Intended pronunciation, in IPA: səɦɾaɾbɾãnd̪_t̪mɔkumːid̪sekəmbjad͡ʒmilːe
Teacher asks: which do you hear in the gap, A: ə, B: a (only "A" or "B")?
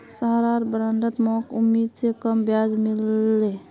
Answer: A